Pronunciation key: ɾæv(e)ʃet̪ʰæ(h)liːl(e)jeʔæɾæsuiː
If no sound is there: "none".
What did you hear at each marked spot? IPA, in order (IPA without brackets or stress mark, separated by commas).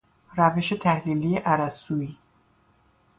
e, h, i